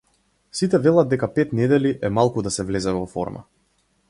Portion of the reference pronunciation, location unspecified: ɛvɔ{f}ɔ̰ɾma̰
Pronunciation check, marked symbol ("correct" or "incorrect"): correct